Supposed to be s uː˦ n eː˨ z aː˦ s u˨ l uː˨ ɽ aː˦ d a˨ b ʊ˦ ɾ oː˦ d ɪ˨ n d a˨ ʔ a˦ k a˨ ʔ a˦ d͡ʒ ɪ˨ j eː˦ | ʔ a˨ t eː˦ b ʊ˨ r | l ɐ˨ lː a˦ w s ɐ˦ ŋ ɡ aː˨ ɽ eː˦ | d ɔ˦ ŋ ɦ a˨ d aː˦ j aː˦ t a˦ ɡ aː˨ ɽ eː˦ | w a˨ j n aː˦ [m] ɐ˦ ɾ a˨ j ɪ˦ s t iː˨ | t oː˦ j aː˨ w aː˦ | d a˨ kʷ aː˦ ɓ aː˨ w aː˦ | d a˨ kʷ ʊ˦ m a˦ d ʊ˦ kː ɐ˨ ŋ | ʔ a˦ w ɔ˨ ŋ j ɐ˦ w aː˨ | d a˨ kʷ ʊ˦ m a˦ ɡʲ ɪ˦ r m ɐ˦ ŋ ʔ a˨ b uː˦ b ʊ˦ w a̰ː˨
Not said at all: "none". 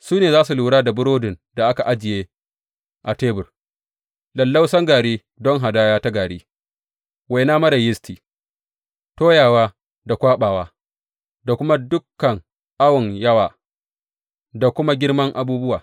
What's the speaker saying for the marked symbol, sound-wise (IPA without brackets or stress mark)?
m